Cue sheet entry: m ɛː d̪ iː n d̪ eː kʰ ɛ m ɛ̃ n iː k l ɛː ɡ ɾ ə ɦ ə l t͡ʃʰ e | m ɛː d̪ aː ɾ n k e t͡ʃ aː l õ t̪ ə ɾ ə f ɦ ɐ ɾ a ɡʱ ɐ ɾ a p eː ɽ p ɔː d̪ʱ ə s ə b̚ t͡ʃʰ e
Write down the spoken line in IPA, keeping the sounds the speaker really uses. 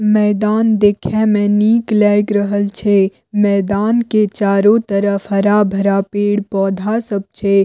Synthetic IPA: m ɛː d̪ aː n d̪ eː kʰ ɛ m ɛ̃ n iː k l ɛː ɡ ɾ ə ɦ ə l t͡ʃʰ e | m ɛː d̪ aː n k e t͡ʃ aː ɾ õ t̪ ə ɾ ə f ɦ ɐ ɾ a bʱ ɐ ɾ a p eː ɽ p ɔː d̪ʱ a s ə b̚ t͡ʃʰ e